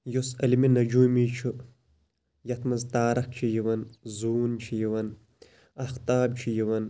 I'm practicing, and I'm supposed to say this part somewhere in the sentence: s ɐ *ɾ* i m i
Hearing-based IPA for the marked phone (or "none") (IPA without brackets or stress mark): l